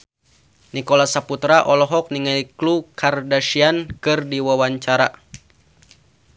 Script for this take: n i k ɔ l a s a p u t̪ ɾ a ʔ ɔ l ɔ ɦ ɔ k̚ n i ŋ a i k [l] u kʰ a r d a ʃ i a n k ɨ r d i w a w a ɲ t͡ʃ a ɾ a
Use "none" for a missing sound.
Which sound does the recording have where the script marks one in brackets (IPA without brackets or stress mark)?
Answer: l